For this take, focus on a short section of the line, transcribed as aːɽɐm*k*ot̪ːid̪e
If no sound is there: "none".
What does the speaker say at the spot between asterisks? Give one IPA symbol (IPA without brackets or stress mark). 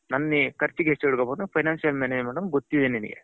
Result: ɡ